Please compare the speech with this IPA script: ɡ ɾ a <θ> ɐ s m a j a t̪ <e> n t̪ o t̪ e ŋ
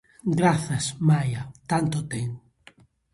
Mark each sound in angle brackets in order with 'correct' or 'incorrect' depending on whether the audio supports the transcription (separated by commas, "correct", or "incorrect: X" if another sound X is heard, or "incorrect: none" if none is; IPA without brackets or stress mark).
correct, incorrect: a